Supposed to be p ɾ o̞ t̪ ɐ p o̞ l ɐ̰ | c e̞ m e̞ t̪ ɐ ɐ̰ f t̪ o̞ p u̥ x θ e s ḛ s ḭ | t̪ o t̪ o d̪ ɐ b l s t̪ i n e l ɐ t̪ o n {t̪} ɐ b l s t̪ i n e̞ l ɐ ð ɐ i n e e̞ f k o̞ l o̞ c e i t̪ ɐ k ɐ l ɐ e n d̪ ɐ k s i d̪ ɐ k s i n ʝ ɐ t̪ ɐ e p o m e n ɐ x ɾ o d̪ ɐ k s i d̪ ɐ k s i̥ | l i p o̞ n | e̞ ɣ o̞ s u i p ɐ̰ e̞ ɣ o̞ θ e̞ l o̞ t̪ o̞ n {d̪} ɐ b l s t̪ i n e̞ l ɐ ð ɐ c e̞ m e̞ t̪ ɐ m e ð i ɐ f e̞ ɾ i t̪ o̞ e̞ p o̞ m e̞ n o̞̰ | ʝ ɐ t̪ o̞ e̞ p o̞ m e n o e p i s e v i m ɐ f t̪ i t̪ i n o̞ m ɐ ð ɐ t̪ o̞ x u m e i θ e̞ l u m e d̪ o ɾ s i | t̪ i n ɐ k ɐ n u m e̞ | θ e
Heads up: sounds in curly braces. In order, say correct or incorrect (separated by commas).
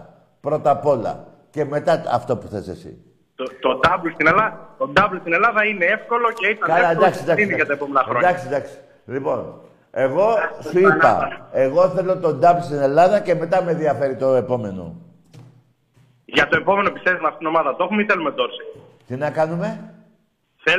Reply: incorrect, correct